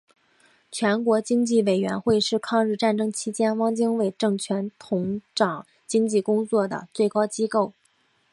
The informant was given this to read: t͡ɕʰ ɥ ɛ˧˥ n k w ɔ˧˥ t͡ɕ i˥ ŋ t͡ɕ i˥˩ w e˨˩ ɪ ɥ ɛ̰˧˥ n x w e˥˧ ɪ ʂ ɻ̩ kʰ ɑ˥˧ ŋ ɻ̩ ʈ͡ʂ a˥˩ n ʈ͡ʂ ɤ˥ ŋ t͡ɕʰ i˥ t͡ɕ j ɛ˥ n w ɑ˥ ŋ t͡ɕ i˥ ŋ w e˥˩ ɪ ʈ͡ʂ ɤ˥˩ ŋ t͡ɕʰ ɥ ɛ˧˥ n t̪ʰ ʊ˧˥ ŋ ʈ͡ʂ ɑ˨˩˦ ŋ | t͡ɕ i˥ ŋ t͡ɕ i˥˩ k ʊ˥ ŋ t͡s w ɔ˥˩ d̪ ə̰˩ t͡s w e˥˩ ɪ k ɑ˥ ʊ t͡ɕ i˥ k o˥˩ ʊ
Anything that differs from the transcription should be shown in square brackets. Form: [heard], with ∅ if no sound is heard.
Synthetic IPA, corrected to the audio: t͡ɕʰ ɥ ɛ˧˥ n k w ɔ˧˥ t͡ɕ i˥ ŋ t͡ɕ i˥˩ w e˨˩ ɪ ɥ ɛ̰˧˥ n x w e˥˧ ɪ ʂ ɻ̩ kʰ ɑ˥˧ ŋ ɻ̩ ʈ͡ʂ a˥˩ n ʈ͡ʂ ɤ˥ ŋ t͡ɕʰ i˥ t͡ɕ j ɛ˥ n w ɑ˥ ŋ t͡ɕ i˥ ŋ w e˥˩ ɪ ʈ͡ʂ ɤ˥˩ ŋ t͡ɕʰ ɥ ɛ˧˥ n t̪ʰ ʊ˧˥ ŋ ʈ͡ʂ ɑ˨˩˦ ŋ | t͡ɕ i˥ ŋ t͡ɕ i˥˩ k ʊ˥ ŋ t͡s w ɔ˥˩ d̪ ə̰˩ t͡s w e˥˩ ɪ k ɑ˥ ʊ t͡ɕ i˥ k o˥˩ ʊ